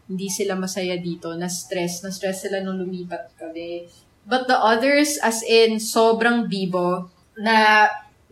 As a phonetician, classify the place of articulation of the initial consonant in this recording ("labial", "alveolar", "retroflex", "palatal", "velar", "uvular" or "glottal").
glottal